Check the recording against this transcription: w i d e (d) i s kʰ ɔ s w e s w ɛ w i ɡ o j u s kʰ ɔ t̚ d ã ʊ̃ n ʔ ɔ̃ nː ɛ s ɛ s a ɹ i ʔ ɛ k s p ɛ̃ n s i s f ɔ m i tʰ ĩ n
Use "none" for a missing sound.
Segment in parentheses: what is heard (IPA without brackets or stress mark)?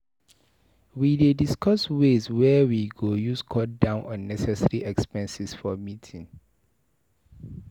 d